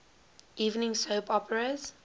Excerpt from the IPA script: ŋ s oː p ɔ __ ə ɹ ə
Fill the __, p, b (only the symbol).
p